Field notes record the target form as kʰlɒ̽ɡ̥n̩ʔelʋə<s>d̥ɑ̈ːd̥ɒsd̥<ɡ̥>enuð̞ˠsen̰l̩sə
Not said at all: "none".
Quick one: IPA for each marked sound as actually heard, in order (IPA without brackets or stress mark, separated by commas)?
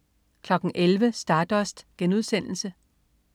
s, ɡ̥